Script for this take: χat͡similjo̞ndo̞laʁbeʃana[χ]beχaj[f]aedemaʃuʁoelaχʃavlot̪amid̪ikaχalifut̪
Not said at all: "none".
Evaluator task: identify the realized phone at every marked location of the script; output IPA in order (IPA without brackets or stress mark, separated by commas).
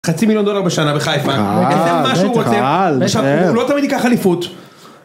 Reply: none, f